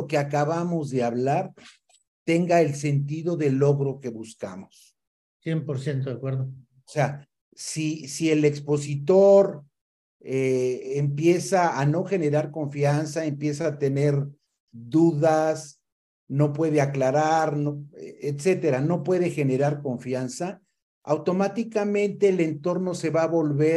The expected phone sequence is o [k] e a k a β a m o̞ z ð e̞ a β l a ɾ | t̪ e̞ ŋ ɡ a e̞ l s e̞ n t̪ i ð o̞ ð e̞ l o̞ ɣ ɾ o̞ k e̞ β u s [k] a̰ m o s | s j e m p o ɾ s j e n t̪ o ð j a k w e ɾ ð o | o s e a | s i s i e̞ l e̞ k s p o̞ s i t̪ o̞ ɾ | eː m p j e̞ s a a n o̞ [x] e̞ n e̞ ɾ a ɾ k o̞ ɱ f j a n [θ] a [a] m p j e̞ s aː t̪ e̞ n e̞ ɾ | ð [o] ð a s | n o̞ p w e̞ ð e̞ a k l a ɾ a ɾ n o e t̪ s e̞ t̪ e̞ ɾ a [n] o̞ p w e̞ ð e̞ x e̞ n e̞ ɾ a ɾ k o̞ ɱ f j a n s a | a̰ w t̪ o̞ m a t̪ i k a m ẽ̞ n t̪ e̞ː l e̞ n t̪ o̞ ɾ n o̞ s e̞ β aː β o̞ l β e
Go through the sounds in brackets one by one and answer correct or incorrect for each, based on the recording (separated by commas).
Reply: correct, correct, correct, incorrect, incorrect, incorrect, correct